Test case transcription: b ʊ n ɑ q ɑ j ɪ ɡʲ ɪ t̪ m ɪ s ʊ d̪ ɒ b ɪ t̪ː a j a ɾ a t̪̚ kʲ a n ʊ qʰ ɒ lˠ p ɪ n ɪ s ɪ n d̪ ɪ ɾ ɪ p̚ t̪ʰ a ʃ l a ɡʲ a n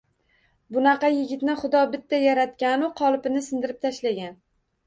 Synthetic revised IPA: b ʊ n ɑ q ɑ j ɪ ɡʲ ɪ t̪ n ɪ χ ʊ d̪ ɒ b ɪ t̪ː a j a ɾ a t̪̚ kʲ a n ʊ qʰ ɒ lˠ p ɪ n ɪ s ɪ n d̪ ɪ ɾ ɪ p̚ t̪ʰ a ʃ l a ɡʲ a n